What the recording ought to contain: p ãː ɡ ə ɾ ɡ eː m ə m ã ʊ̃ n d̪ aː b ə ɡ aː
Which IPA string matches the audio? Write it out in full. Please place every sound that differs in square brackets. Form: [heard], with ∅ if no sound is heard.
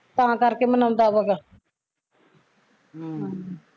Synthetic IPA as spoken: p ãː [k] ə ɾ [k] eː m ə [n] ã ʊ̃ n d̪ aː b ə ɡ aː